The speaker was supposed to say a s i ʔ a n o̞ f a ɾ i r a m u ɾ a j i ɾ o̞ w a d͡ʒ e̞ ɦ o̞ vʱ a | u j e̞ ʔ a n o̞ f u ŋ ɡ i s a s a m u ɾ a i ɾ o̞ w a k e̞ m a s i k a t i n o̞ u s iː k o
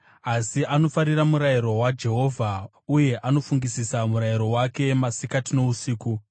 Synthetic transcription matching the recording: a s i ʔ a n o̞ f a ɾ i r a m u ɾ a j i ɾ o̞ w a d͡ʒ e̞ ɦ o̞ vʱ a | u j e̞ ʔ a n o̞ f u ŋ ɡ i s i s a m u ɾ a i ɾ o̞ w a k e̞ m a s i k a t i n o̞ u s iː k u